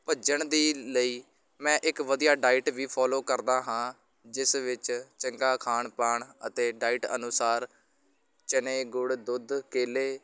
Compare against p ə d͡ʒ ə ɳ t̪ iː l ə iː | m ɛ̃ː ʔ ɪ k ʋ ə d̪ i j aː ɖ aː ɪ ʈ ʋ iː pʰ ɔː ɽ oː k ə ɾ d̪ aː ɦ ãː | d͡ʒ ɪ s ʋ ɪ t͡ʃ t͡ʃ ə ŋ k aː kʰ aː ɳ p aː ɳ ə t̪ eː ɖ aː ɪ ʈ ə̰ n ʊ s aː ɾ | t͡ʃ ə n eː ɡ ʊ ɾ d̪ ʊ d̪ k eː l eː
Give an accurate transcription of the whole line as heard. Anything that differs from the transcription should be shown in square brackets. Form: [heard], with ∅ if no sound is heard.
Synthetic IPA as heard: p ə d͡ʒ ə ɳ [d̪] iː l ə iː | m ɛ̃ː ʔ ɪ k ʋ ə d̪ i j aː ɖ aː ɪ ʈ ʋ iː pʰ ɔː [l] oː k ə ɾ d̪ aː ɦ ãː | d͡ʒ ɪ s ʋ ɪ t͡ʃ t͡ʃ ə ŋ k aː kʰ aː ɳ p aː ɳ ə t̪ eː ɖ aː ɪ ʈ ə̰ n ʊ s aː ɾ | t͡ʃ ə n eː ɡ ʊ [ɽ] d̪ ʊ d̪ k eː l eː

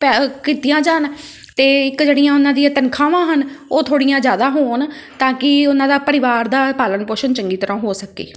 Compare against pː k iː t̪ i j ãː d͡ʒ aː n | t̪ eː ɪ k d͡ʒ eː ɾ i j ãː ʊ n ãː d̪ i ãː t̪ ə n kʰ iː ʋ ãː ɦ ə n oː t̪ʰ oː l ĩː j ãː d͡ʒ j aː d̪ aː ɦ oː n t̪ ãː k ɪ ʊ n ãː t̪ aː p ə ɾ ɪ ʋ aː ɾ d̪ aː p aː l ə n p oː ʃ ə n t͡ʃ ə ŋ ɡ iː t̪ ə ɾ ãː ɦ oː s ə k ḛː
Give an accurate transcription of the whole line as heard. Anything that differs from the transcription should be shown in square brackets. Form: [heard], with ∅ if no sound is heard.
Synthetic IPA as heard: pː k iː t̪ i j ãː d͡ʒ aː n | t̪ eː ɪ k d͡ʒ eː [ɽ] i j ãː ʊ n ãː d̪ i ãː t̪ ə n kʰ [aː] ʋ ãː ɦ ə n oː t̪ʰ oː [ɽ] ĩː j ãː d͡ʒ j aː d̪ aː ɦ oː n t̪ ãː k ɪ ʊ n ãː [d̪] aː p ə ɾ ɪ ʋ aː ɾ d̪ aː p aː l ə n p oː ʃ ə n t͡ʃ ə ŋ ɡ iː t̪ ə ɾ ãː ɦ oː s ə k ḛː

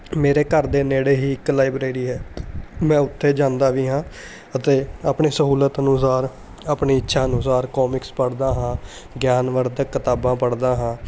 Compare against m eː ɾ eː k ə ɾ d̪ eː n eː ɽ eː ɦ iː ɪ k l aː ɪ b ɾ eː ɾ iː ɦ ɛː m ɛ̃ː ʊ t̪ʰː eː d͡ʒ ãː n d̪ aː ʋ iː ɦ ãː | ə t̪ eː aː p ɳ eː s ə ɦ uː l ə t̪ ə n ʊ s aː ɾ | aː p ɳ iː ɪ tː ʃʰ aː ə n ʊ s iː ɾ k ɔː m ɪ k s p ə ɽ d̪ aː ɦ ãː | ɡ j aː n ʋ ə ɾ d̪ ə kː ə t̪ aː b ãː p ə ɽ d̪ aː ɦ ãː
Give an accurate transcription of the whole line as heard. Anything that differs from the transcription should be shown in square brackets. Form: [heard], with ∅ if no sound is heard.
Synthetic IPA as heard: m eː ɾ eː k ə ɾ d̪ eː n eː ɽ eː ɦ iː ɪ k l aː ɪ b ɾ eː ɾ iː ɦ ɛː m ɛ̃ː ʊ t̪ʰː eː d͡ʒ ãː n d̪ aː ʋ iː ɦ ãː | ə t̪ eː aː p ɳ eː s ə ɦ uː l ə t̪ ə n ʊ s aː ɾ | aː p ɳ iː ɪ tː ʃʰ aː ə n ʊ s [aː] ɾ k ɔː m ɪ k s p ə ɽ d̪ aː ɦ ãː | ɡ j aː n ʋ ə ɾ d̪ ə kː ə t̪ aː b ãː p ə ɽ d̪ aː ɦ ãː

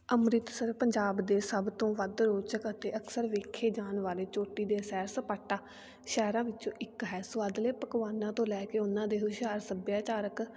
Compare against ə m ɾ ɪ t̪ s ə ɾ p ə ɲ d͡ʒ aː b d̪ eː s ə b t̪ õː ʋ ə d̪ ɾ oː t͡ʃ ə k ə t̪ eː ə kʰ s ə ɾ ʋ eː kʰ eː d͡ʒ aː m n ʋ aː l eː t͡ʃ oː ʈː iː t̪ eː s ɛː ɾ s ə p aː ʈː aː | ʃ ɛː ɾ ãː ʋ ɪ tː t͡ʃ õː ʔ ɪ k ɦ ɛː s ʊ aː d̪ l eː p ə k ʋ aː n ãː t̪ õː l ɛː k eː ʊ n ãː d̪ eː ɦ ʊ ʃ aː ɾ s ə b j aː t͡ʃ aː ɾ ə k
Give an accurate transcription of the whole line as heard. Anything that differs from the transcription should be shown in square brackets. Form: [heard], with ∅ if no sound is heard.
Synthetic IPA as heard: ə m ɾ ɪ t̪ s ə ɾ p ə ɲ d͡ʒ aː b d̪ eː s ə b t̪ õː ʋ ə d̪ ɾ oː t͡ʃ ə k ə t̪ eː ə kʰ s ə ɾ ʋ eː kʰ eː d͡ʒ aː [∅] n ʋ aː l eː t͡ʃ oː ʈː iː [d̪] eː s ɛː ɾ s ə p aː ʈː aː | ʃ ɛː ɾ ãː ʋ ɪ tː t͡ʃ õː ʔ ɪ k ɦ ɛː s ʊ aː d̪ l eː p ə k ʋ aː n ãː t̪ õː l ɛː k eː ʊ n ãː d̪ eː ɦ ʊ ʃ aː ɾ s ə b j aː t͡ʃ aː ɾ ə k

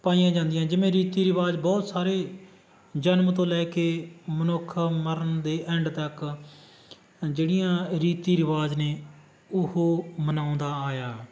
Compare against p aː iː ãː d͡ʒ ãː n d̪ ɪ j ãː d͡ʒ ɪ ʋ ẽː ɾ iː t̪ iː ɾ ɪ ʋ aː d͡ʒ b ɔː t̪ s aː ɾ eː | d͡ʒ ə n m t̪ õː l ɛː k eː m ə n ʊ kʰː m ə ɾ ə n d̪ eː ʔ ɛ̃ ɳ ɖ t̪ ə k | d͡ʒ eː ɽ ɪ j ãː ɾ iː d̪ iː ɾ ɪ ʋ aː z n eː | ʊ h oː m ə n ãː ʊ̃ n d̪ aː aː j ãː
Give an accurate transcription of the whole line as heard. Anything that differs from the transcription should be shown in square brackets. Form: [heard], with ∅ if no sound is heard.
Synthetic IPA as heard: p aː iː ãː d͡ʒ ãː n d̪ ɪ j ãː d͡ʒ ɪ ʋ ẽː ɾ iː t̪ iː ɾ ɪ ʋ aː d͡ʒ b ɔː t̪ s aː ɾ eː | d͡ʒ ə n m t̪ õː l ɛː k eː m ə n ʊ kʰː m ə ɾ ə n d̪ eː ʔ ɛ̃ ɳ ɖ t̪ ə k | d͡ʒ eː ɽ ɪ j ãː ɾ iː [t̪] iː ɾ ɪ ʋ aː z n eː | ʊ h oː m ə n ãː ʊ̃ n d̪ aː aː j [aː]

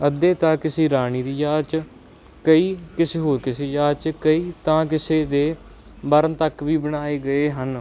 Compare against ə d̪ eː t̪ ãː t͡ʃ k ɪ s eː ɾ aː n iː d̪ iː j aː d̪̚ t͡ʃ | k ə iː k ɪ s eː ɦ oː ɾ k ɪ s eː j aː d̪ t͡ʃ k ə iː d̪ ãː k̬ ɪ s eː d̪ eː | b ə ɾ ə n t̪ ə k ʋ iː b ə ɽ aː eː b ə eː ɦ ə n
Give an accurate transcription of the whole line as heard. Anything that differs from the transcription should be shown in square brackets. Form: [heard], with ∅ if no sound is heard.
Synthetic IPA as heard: ə d̪ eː t̪ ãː [∅] k ɪ s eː ɾ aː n iː d̪ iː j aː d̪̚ t͡ʃ | k ə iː k ɪ s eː ɦ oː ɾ k ɪ s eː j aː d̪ t͡ʃ k ə iː [t̪] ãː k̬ ɪ s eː d̪ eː | b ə ɾ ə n t̪ ə k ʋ iː b ə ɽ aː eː [ɡ] ə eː ɦ ə n

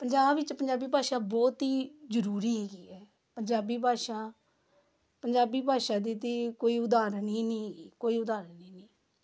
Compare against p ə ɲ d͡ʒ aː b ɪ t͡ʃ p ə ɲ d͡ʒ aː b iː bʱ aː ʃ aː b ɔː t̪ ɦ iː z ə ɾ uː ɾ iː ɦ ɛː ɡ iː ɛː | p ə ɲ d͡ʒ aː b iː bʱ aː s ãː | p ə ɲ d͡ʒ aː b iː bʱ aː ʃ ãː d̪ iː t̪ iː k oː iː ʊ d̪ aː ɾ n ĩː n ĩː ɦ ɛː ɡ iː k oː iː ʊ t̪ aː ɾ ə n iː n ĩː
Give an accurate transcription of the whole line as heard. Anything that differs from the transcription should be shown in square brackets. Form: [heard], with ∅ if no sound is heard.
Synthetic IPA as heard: p ə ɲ d͡ʒ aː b ɪ t͡ʃ p ə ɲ d͡ʒ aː b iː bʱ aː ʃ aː b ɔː t̪ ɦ iː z ə ɾ uː ɾ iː ɦ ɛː ɡ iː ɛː | p ə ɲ d͡ʒ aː b iː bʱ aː [ʃ] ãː | p ə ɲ d͡ʒ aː b iː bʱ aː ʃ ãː d̪ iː t̪ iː k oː iː ʊ d̪ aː ɾ n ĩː n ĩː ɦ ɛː ɡ iː k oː iː ʊ [d̪] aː ɾ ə n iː n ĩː

